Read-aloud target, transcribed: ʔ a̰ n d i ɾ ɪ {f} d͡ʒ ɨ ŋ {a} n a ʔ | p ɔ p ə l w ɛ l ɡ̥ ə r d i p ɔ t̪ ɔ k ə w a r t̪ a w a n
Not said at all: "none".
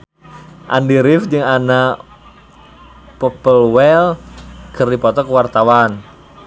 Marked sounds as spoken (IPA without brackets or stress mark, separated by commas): f, a